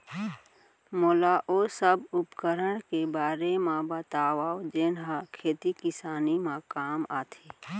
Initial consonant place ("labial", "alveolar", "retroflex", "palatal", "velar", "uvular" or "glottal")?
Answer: labial